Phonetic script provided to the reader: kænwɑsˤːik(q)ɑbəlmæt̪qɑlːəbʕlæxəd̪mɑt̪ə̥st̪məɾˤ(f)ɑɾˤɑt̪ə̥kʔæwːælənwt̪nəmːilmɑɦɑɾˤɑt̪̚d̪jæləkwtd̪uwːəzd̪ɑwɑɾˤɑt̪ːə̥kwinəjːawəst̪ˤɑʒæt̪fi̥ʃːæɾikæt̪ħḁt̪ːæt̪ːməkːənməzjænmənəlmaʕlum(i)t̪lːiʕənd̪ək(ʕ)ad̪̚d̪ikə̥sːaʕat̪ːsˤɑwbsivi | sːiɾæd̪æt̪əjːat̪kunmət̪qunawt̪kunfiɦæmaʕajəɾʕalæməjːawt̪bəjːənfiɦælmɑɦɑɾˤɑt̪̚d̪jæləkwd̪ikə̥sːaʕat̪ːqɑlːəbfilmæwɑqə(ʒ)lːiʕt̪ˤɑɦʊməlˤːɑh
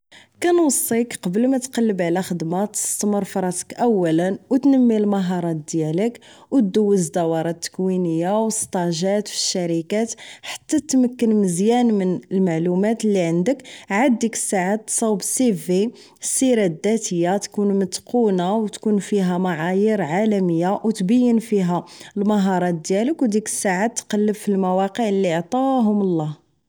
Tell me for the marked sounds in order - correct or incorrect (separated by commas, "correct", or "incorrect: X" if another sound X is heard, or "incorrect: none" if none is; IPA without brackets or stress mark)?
correct, correct, incorrect: æ, correct, incorrect: ʕ